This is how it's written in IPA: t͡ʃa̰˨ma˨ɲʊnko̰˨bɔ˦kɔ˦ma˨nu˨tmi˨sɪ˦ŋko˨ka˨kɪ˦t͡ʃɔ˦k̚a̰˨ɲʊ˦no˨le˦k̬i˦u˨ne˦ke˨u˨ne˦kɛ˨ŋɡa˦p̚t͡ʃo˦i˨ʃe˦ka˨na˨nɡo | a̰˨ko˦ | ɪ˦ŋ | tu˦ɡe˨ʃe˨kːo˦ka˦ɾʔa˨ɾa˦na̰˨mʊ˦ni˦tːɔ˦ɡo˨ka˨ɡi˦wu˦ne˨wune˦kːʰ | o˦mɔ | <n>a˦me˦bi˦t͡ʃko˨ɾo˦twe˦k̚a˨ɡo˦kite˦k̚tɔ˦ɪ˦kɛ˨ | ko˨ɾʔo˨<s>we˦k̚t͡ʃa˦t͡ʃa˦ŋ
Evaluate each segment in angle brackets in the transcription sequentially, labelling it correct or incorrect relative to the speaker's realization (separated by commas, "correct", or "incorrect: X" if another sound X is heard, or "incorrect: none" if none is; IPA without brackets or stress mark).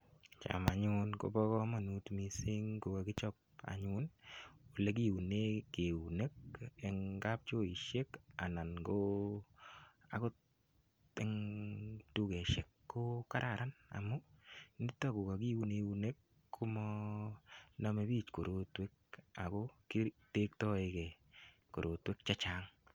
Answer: correct, incorrect: t